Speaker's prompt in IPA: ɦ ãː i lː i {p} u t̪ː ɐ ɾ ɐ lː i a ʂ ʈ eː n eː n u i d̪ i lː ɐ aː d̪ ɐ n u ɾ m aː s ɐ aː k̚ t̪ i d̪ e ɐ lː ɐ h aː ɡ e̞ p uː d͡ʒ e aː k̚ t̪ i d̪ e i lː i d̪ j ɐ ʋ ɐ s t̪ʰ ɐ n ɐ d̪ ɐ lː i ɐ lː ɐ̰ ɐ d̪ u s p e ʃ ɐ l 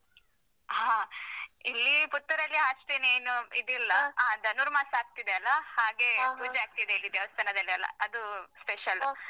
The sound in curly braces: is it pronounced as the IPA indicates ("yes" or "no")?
yes